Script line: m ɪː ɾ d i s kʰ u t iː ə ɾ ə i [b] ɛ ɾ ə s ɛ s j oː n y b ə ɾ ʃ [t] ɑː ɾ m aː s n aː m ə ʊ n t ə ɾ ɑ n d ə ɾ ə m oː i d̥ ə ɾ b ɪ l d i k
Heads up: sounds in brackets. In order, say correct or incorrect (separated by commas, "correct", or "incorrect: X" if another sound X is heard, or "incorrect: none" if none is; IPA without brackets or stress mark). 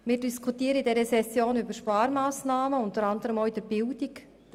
incorrect: d, incorrect: p